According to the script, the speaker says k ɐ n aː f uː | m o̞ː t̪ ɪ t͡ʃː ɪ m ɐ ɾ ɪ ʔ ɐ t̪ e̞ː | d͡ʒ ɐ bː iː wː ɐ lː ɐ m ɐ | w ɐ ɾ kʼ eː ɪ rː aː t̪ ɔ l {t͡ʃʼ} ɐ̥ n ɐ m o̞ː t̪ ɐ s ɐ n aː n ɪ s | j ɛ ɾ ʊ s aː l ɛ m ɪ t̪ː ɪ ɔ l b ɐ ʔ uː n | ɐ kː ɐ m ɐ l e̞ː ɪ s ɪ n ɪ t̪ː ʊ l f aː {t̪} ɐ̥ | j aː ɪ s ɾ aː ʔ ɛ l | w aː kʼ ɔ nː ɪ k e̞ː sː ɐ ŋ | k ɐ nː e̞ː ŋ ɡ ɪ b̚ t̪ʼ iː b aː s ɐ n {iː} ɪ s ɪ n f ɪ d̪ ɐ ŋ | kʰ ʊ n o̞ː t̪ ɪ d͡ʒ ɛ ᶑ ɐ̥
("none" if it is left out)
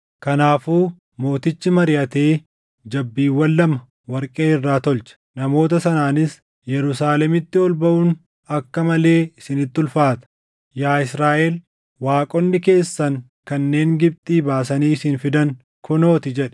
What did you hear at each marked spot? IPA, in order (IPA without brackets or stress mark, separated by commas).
t͡ʃ, t̪, iː